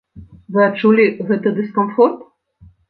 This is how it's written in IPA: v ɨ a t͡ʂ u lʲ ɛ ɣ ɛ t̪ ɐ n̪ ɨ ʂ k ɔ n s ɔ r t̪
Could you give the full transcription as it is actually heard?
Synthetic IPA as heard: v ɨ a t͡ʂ u lʲ i ɣ ɛ t̪ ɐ d̪ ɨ s k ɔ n f ɔ r t̪